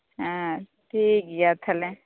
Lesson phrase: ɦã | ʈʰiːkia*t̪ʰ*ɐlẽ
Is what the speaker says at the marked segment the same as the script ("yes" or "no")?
yes